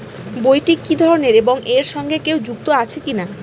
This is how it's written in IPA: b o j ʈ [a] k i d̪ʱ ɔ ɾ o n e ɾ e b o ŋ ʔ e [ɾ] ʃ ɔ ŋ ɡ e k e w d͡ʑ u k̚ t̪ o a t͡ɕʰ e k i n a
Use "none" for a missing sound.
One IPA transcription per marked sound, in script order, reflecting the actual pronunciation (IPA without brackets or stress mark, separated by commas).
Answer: i, ɾ